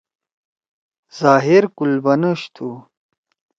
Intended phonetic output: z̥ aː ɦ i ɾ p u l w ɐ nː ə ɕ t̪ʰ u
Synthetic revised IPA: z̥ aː ɦ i ɾ k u l b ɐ n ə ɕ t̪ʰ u

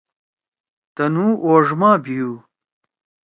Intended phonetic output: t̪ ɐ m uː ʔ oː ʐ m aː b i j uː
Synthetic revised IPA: t̪ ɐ n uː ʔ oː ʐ m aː b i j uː

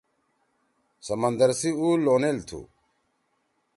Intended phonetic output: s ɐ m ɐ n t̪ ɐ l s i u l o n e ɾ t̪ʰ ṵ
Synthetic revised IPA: s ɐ m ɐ n d̪ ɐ ɾ s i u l o n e l t̪ʰ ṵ

